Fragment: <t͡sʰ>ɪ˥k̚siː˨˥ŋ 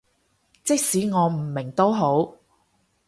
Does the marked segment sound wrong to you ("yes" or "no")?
yes